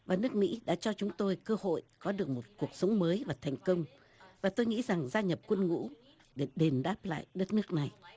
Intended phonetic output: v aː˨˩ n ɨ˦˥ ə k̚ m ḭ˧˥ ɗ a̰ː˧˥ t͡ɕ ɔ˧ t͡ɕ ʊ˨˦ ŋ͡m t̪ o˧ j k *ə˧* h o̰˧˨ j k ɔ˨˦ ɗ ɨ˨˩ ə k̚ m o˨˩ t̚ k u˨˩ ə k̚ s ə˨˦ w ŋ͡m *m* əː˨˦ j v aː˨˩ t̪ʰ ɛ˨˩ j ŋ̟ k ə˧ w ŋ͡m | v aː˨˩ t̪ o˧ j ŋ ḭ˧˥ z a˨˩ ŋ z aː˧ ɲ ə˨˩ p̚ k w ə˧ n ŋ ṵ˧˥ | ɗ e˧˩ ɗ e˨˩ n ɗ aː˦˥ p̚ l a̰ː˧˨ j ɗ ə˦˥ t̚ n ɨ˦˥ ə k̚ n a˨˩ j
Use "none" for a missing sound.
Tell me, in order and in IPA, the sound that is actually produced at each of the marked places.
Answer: əː˧, m

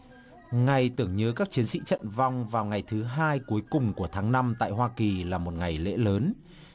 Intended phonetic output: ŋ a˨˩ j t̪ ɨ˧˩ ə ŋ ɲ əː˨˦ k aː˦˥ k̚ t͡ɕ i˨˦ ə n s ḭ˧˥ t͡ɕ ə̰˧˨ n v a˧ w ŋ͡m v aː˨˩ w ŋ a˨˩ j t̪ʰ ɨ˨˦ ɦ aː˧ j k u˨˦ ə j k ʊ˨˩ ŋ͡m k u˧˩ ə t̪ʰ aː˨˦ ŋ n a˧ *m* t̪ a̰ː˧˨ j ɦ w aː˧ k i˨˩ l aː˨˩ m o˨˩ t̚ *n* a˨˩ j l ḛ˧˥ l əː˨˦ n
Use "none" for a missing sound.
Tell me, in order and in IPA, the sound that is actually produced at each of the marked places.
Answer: m, ŋ

